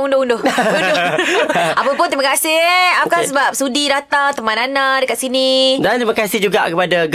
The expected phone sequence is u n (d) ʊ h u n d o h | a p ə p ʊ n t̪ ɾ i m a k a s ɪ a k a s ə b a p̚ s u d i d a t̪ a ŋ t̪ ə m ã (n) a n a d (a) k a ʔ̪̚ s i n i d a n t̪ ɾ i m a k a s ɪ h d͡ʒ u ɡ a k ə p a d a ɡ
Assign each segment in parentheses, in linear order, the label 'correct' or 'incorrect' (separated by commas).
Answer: correct, correct, incorrect